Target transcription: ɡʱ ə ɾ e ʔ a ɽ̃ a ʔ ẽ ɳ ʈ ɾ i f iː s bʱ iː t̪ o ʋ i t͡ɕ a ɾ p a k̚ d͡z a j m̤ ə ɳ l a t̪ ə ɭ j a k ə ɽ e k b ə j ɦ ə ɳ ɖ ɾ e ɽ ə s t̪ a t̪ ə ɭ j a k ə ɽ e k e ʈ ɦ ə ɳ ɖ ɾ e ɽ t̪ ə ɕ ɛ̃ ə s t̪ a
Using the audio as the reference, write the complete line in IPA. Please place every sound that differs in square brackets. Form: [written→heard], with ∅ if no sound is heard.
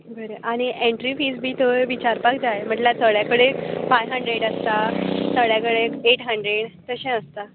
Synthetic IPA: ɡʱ ə ɾ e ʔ a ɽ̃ [a→i] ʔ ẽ ɳ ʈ ɾ i f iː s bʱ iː t̪ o ʋ i t͡ɕ a ɾ p a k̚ d͡z a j m̤ ə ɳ l a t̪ ə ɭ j a k ə ɽ e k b [ə→a] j ɦ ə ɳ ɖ ɾ e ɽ ə s t̪ a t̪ ə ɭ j a k ə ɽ e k e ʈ ɦ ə ɳ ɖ ɾ e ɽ t̪ ə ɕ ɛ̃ ə s t̪ a